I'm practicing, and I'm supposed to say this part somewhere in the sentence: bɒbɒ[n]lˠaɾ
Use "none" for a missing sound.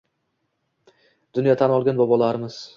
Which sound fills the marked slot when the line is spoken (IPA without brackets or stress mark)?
none